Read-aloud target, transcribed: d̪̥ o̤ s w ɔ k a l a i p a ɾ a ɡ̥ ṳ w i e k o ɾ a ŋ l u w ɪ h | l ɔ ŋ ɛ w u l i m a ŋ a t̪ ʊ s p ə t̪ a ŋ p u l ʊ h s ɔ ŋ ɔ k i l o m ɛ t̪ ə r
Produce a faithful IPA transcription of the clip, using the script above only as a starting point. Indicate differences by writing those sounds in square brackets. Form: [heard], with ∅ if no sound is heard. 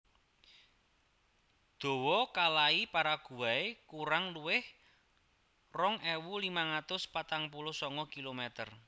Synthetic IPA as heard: d̪̥ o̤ [∅] w ɔ k a l a i p a ɾ a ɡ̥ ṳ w [a] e k [u] ɾ a ŋ l u w ɪ h | [r] ɔ ŋ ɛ w u l i m a ŋ a t̪ ʊ s p [a] t̪ a ŋ p u l ʊ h s ɔ ŋ ɔ k i l o m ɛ t̪ ə r